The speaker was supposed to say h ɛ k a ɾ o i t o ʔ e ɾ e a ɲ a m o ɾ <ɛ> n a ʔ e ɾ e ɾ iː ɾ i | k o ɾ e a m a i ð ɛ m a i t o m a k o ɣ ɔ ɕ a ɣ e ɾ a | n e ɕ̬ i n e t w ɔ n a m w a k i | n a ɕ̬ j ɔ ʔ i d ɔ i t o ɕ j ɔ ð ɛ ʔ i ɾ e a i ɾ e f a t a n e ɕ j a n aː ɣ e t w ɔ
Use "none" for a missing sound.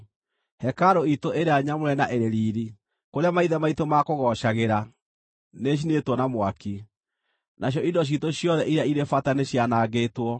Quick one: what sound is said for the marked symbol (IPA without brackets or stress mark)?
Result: ɛ